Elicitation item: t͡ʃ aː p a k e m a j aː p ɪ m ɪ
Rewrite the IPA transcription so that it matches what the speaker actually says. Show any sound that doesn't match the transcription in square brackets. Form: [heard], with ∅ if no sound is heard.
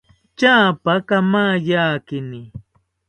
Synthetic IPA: t͡ʃ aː p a k [a] m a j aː [k] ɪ [n] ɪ